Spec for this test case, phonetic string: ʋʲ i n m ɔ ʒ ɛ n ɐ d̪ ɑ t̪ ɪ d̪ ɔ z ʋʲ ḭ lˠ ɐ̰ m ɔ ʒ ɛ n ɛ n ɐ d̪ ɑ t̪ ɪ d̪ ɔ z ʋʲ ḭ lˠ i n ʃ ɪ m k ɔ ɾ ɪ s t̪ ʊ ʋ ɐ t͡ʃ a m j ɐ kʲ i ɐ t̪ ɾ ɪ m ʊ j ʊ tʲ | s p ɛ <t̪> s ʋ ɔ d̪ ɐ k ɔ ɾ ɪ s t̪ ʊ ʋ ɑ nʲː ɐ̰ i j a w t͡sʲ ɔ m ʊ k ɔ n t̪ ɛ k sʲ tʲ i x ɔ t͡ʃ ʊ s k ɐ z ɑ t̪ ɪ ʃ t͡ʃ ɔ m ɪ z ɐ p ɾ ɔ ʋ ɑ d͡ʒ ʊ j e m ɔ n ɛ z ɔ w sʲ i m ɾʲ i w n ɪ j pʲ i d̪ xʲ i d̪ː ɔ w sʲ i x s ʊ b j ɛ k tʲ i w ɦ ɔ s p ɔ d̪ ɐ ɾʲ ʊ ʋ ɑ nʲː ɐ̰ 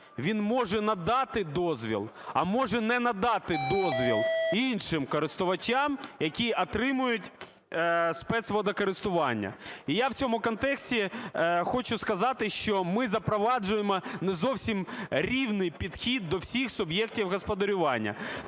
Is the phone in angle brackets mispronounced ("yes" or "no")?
no